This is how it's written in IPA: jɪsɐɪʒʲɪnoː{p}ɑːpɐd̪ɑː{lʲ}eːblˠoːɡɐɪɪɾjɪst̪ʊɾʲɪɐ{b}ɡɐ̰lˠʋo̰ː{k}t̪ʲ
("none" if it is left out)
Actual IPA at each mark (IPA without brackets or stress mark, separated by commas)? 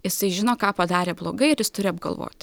k, ɾʲ, b, none